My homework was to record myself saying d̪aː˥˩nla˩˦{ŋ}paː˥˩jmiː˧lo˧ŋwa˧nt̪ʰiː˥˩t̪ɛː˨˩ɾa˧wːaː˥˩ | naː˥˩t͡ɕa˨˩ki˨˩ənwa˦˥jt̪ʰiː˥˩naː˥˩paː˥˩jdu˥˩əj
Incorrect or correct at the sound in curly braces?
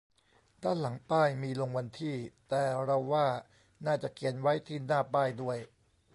correct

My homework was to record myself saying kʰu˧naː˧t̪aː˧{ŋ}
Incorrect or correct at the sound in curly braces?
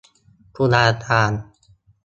incorrect: n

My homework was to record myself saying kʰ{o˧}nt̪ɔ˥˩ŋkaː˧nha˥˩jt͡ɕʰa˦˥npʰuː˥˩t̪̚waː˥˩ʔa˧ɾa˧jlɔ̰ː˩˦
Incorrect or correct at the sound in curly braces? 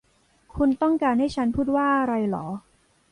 incorrect: u˧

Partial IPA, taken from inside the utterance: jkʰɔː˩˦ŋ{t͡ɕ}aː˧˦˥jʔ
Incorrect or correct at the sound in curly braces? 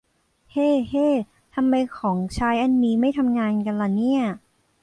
incorrect: t͡ɕʰ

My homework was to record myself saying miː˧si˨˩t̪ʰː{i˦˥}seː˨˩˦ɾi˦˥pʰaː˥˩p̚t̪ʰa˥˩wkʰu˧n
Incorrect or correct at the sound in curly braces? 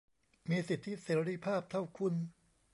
correct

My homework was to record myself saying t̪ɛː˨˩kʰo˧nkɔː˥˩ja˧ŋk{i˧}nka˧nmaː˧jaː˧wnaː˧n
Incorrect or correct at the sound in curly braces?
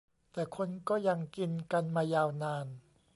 correct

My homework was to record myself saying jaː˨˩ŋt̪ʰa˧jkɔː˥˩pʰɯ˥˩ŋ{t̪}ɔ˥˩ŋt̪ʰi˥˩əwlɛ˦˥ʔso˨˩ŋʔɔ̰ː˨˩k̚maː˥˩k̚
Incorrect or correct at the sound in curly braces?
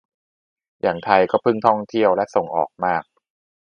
incorrect: t̪ʰ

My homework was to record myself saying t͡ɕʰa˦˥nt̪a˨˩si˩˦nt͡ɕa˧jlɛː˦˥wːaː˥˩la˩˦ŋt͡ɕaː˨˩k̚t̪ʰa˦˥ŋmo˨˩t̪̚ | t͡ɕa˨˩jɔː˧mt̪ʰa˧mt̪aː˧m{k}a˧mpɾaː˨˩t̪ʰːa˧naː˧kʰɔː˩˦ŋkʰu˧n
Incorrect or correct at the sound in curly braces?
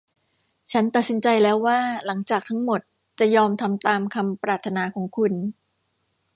incorrect: kʰ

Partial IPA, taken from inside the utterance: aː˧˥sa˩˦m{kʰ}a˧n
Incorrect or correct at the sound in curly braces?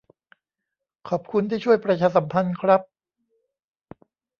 incorrect: pʰ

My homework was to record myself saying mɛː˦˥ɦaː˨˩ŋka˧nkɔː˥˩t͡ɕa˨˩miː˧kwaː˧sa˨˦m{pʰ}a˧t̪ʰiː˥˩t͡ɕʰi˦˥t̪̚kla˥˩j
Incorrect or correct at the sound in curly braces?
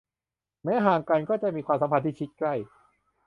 correct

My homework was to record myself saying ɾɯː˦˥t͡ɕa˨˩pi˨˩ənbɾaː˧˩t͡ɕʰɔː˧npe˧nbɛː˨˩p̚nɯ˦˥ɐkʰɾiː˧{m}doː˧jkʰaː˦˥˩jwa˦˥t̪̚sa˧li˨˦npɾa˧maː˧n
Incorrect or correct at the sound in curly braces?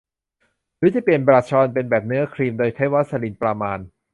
correct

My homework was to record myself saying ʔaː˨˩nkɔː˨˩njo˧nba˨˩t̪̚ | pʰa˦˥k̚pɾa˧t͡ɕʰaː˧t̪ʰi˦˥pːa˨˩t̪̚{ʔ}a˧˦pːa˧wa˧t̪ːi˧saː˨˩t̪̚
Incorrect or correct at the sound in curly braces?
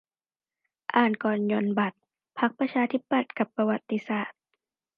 incorrect: k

